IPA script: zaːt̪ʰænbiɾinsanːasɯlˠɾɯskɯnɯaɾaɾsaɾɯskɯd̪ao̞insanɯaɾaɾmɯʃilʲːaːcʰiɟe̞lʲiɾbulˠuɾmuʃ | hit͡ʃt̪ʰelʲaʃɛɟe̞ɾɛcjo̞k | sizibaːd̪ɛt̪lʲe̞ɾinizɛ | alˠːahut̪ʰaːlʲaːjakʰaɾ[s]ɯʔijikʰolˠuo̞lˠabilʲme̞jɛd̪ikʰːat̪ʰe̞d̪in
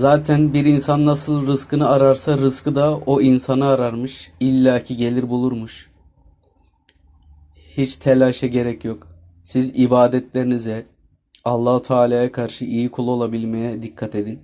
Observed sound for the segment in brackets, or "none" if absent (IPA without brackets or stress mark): ʃ